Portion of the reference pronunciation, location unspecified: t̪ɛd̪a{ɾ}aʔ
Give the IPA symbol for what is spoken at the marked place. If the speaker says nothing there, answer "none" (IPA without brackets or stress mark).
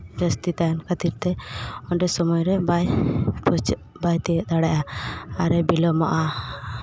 ɽ